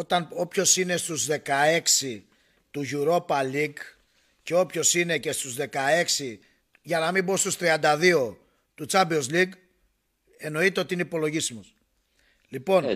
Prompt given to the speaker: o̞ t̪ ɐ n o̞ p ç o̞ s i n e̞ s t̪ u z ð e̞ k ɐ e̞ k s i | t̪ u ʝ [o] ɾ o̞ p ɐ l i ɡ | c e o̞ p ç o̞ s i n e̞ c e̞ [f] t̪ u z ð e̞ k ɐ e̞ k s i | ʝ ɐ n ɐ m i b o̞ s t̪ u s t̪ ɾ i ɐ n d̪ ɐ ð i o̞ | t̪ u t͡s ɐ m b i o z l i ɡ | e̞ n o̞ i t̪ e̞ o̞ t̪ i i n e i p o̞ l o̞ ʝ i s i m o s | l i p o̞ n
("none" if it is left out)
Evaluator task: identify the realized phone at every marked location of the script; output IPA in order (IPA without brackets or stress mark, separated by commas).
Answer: u, s